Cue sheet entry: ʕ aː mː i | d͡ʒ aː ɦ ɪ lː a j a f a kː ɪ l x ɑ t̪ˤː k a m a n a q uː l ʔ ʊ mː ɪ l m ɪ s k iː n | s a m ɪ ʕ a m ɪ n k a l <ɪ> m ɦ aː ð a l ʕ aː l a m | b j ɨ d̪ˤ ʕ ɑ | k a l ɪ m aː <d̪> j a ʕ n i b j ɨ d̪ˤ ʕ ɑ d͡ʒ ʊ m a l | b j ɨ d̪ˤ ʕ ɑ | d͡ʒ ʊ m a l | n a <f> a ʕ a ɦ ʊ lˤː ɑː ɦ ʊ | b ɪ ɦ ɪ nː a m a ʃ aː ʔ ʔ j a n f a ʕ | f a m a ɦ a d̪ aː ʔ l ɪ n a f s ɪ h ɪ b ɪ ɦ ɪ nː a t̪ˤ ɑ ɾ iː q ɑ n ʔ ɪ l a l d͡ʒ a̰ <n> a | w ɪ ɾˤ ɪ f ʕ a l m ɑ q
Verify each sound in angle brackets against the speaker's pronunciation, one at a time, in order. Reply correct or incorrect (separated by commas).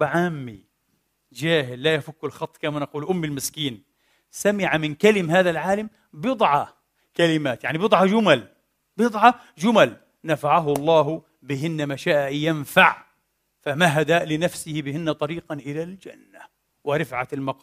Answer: correct, incorrect, correct, incorrect